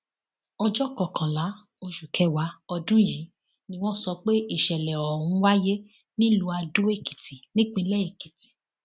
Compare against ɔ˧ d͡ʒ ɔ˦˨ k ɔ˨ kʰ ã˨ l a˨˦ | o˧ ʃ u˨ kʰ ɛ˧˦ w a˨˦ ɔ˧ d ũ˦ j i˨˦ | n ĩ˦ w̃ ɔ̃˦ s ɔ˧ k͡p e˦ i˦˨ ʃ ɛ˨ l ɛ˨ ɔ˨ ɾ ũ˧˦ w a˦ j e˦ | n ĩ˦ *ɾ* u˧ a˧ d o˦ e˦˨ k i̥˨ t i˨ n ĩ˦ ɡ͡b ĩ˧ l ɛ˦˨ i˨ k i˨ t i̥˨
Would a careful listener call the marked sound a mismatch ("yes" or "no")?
yes